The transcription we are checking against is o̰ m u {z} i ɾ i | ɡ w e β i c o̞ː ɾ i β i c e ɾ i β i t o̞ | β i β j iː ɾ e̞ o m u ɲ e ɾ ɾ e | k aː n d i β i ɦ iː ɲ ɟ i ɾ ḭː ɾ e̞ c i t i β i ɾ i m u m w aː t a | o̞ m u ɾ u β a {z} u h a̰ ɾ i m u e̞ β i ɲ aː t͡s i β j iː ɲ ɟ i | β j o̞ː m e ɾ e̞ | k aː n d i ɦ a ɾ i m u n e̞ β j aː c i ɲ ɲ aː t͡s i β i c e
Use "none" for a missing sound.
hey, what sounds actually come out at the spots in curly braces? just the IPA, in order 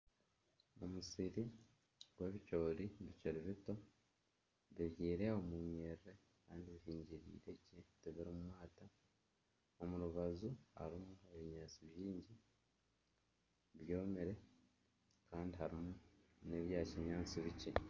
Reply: s, z

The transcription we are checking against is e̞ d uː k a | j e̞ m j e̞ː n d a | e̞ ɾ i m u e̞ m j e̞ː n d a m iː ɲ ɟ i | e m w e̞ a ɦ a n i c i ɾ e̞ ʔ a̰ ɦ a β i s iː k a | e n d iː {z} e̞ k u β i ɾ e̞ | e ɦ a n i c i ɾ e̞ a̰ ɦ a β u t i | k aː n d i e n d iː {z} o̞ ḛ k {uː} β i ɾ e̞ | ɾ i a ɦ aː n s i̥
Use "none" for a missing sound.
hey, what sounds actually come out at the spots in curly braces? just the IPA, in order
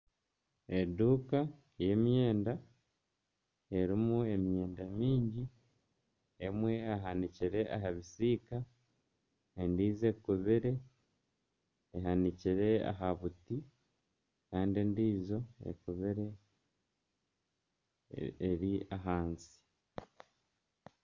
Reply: z, z, u

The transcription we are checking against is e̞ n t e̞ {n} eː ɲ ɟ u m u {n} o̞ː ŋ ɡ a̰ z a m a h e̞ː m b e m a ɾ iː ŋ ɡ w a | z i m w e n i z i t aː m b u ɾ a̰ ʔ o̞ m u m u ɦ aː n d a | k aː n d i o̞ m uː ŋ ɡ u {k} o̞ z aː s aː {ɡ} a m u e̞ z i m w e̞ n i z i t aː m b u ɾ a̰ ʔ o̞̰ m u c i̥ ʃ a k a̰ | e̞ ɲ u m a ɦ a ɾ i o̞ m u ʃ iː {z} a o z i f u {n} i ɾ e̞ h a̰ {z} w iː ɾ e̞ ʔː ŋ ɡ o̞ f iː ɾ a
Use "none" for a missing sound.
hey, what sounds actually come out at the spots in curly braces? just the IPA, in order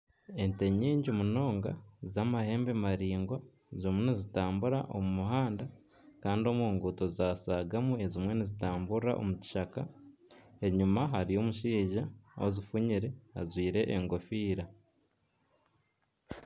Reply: ɲ, n, t, ɡ, ʒ, ɲ, z

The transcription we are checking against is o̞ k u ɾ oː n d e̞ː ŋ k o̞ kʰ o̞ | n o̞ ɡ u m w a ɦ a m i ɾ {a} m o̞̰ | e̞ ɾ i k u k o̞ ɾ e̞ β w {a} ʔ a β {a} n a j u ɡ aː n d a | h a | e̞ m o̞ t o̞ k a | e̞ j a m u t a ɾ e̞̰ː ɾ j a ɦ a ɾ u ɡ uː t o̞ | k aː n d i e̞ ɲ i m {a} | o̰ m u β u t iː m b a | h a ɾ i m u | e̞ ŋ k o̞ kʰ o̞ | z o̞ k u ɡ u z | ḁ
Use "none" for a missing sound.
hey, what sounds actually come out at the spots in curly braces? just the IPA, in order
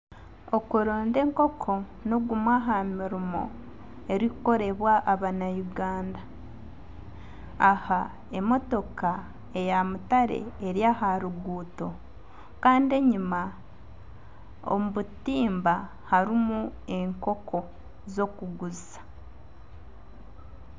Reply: i, a, a, a

